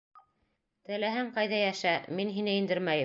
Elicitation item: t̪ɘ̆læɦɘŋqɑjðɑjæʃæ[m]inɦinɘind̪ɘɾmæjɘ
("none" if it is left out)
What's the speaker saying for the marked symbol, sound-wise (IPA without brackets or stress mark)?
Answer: m